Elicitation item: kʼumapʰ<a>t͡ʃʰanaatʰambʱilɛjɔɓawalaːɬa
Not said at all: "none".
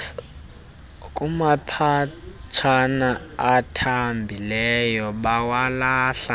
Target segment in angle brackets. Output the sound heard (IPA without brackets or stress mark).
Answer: a